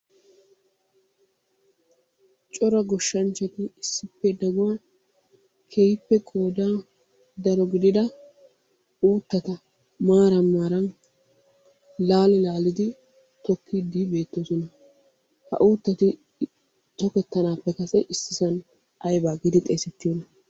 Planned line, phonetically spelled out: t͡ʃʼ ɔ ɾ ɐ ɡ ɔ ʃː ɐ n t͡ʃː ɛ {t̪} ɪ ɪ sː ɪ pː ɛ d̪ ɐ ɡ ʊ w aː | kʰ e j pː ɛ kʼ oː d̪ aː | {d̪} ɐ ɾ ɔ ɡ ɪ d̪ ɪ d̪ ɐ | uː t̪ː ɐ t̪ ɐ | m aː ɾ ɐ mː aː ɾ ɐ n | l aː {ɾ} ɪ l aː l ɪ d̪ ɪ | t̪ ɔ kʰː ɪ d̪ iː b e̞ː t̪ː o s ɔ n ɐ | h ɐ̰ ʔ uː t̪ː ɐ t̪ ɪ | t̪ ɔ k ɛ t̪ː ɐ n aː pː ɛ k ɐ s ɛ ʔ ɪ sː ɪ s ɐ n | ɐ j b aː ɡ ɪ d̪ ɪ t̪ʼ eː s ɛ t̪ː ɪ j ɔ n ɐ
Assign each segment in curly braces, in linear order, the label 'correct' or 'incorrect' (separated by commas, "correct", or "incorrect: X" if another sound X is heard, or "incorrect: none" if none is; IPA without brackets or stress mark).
correct, correct, incorrect: l